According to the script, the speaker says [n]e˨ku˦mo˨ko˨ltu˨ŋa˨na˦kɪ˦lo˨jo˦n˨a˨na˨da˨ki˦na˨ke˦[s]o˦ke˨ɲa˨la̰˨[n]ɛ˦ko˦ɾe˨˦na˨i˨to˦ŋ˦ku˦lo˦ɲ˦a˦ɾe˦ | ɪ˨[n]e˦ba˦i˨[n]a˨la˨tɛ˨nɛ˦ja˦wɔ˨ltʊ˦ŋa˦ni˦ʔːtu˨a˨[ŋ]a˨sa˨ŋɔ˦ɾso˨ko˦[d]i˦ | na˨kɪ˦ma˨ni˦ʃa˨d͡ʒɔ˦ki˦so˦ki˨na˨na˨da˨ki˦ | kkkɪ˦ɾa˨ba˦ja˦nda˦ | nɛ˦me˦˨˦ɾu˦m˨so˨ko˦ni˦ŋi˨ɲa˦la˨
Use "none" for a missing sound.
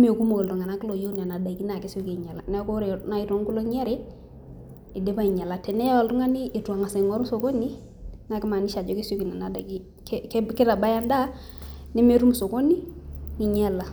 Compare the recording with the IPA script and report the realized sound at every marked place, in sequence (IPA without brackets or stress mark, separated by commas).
m, s, n, d, ɲ, ŋ, n